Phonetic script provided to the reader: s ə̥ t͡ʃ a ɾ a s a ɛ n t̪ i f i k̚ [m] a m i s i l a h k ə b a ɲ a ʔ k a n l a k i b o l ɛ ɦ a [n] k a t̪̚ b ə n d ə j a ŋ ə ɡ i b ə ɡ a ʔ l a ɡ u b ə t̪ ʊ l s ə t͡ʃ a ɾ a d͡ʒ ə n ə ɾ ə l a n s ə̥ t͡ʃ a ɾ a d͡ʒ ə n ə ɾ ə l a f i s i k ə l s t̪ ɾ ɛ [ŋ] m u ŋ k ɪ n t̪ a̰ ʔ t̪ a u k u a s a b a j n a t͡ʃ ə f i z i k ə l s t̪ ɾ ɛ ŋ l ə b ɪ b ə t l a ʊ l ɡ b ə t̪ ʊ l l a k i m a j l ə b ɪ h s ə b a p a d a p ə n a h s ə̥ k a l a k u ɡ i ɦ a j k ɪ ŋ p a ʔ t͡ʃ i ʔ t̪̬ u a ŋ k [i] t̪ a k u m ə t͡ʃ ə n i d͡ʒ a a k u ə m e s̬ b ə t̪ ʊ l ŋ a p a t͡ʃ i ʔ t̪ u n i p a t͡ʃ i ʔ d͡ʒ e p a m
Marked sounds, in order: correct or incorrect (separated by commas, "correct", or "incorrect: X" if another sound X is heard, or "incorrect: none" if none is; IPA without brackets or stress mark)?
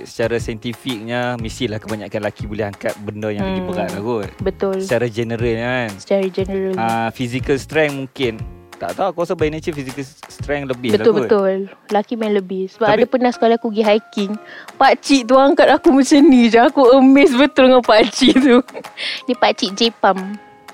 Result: incorrect: ɲ, incorrect: ŋ, correct, incorrect: a